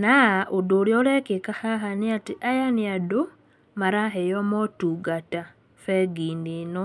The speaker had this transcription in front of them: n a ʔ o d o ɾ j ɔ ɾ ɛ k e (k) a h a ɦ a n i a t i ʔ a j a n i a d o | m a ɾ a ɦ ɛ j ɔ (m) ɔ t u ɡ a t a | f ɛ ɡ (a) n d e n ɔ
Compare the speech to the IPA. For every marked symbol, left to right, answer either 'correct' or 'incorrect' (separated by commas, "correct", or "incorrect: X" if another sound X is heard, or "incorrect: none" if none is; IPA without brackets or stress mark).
correct, correct, incorrect: i